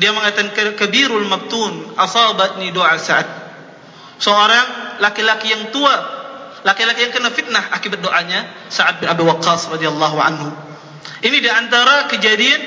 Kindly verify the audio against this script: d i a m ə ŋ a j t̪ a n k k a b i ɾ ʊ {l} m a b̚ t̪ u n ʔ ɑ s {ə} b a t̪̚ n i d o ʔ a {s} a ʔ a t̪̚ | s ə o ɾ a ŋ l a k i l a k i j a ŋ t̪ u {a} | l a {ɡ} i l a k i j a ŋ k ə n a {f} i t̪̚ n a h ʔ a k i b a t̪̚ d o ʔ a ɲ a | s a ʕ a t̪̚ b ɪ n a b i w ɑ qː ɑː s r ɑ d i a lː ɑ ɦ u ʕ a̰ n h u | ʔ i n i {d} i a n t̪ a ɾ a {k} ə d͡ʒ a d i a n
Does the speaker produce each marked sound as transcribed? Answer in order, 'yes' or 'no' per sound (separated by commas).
yes, no, yes, yes, no, yes, yes, yes